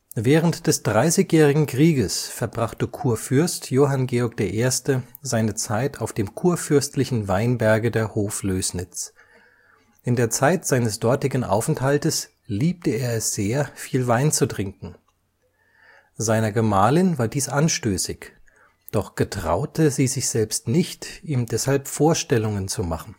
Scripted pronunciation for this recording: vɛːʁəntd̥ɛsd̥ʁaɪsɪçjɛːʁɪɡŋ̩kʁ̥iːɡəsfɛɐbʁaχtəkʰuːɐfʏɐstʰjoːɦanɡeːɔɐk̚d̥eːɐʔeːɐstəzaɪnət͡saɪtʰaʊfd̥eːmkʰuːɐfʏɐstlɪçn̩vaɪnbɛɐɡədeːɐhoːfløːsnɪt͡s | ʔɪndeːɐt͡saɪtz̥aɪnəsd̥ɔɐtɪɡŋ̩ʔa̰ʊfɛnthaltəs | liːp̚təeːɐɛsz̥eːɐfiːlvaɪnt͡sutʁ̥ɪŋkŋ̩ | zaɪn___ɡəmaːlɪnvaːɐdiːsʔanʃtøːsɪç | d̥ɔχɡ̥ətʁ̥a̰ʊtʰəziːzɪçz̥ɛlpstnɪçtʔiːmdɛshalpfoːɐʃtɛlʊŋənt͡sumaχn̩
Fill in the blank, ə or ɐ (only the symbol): ɐ